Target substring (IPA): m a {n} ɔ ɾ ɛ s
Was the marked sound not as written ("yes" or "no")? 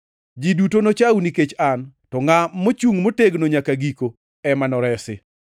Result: no